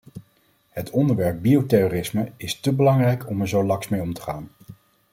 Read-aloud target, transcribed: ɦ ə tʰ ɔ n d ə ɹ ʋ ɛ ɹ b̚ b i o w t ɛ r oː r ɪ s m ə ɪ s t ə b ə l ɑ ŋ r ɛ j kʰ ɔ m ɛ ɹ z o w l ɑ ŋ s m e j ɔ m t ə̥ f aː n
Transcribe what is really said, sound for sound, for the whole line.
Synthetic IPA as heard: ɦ ə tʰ ɔ n d ə ɹ ʋ ɛ ɹ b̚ b i o w t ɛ r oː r ɪ s m ə ɪ s t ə b ə l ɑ ŋ r ɛ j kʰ ɔ m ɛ ɹ z o w l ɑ ŋ s m e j ɔ m t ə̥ χ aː n